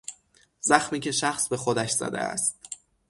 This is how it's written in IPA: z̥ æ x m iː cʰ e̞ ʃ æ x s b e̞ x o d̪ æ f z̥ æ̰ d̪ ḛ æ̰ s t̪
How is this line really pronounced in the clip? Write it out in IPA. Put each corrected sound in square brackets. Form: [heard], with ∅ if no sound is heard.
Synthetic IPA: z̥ æ x m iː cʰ e̞ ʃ æ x s b e̞ x o d̪ æ [ʃ] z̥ æ̰ d̪ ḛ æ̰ s t̪